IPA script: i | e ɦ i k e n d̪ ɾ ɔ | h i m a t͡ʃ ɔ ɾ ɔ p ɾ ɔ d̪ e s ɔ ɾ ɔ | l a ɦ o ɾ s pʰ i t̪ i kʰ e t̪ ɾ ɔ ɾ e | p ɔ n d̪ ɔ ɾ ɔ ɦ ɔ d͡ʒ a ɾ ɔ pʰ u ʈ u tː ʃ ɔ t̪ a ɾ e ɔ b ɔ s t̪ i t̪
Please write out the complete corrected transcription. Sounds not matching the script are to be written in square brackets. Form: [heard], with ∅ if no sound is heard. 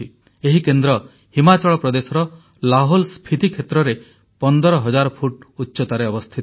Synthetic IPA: i | e ɦ i k e n d̪ ɾ ɔ | h i m a t͡ʃ ɔ [ɭ] ɔ p ɾ ɔ d̪ e s ɔ ɾ ɔ | l a ɦ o [l] s pʰ i t̪ i kʰ e t̪ ɾ ɔ ɾ e | p ɔ n d̪ ɔ ɾ ɔ ɦ ɔ d͡ʒ a ɾ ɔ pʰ u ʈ u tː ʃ ɔ t̪ a ɾ e ɔ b ɔ s [t̪ʰ] i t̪

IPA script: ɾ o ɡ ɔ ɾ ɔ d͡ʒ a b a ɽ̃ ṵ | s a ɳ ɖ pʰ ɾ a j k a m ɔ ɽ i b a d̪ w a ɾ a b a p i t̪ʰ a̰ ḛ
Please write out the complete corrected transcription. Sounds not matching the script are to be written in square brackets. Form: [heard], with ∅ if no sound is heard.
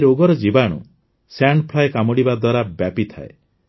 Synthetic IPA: ɾ o ɡ ɔ ɾ ɔ d͡ʒ [i] b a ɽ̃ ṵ | s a ɳ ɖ pʰ [l] a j k a m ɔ ɽ i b a d̪ w a ɾ a b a p i t̪ʰ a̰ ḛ

